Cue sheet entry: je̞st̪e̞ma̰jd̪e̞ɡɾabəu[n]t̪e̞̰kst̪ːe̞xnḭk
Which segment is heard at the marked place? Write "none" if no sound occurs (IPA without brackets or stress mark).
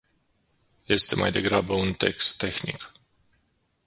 n